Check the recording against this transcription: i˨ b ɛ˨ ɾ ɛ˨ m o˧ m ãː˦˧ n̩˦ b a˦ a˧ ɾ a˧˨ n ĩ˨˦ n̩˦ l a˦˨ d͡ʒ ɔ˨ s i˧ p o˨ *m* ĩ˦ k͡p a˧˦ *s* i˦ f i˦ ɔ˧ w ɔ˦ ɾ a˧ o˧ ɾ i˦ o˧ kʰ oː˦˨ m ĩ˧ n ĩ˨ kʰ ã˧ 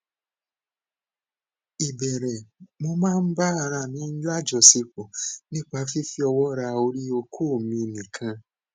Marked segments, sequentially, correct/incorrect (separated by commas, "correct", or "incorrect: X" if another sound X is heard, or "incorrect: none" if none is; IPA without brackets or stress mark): incorrect: n, incorrect: f